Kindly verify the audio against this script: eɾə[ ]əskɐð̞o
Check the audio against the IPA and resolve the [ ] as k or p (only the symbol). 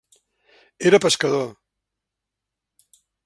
p